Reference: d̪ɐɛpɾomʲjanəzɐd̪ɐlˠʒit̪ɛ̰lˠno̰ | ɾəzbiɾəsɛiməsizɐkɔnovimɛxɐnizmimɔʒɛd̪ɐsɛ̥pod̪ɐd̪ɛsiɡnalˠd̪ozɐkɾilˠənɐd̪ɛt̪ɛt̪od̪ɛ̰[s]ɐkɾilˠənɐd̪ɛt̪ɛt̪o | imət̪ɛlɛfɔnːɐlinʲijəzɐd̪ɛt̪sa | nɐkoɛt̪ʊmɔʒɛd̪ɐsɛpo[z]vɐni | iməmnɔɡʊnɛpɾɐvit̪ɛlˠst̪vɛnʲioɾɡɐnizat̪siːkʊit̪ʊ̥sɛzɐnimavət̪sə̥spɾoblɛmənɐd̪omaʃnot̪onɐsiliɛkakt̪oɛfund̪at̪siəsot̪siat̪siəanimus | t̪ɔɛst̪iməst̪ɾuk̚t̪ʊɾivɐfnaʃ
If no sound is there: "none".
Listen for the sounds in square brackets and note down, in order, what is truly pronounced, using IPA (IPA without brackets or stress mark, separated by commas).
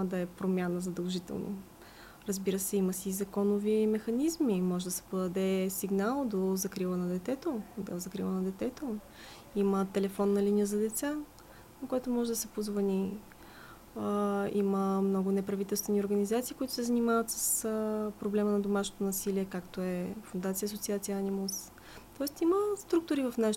z, z